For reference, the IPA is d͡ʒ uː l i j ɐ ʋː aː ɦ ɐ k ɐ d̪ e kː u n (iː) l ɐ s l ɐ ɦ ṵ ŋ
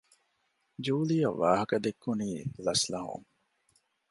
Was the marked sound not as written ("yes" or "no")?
no